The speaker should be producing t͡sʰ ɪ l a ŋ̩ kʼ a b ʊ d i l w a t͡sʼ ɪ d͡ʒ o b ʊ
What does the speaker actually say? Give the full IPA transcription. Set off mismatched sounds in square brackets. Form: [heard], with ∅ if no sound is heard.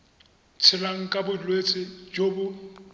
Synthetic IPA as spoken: t͡sʰ ɪ l a ŋ̩ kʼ a b ʊ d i l w [e] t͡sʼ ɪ d͡ʒ o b ʊ